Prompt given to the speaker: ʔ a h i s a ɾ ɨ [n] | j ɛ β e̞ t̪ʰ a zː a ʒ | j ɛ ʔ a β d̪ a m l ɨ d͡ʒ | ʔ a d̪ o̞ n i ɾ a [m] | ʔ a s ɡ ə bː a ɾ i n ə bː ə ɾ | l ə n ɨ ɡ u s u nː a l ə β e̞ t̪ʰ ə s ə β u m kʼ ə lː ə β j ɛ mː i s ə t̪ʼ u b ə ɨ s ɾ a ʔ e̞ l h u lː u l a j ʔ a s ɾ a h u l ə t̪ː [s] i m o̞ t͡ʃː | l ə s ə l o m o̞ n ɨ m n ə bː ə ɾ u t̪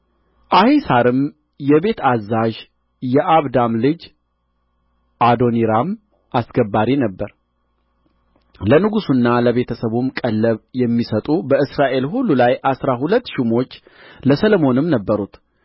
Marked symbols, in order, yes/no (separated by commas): no, yes, no